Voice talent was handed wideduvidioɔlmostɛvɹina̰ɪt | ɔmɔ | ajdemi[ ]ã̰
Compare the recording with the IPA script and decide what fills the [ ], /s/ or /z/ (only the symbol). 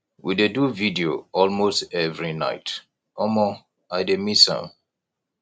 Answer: s